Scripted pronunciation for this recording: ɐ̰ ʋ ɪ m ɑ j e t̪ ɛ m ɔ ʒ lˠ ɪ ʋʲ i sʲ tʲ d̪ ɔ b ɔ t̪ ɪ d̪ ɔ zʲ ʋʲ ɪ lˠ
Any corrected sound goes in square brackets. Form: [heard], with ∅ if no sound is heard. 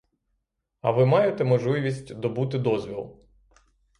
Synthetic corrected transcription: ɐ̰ ʋ ɪ m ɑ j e t̪ ɛ m ɔ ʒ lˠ ɪ ʋʲ i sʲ tʲ d̪ ɔ b [u] t̪ ɪ d̪ ɔ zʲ ʋʲ [i] lˠ